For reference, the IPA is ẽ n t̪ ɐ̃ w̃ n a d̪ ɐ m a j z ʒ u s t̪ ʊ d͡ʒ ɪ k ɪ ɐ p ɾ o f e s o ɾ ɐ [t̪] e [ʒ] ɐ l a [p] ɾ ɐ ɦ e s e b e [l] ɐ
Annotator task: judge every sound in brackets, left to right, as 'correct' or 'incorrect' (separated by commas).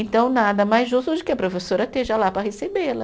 correct, correct, correct, correct